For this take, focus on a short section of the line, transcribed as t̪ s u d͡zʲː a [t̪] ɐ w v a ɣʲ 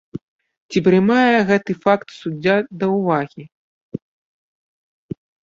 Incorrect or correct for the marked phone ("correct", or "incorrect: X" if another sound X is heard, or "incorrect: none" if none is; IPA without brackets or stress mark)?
incorrect: d̪